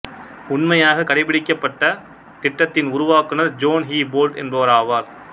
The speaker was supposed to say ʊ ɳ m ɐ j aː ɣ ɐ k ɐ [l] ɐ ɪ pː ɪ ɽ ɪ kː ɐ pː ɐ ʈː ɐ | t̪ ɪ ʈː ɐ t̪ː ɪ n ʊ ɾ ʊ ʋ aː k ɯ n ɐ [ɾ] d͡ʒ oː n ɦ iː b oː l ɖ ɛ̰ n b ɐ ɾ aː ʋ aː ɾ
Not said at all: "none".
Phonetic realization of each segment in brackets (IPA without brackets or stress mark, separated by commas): ɽ, ɾ